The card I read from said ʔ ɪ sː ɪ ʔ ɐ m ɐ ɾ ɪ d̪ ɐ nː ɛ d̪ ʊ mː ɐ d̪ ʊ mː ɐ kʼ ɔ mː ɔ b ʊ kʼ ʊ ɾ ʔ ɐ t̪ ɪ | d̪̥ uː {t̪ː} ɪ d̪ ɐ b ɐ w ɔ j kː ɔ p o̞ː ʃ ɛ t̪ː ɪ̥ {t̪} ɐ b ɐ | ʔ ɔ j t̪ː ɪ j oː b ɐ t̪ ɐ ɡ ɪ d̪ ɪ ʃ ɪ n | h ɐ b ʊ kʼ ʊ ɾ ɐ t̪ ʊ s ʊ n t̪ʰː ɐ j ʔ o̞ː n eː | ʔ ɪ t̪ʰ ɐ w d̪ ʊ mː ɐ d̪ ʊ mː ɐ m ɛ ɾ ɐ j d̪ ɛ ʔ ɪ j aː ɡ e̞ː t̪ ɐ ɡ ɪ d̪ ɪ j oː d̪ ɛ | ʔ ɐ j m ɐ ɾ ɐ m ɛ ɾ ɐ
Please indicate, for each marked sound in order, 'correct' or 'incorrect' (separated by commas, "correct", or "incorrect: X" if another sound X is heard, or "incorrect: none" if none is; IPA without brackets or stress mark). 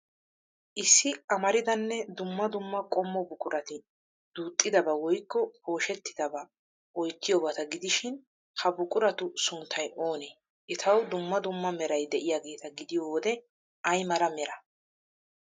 incorrect: t̪ʼː, incorrect: d̪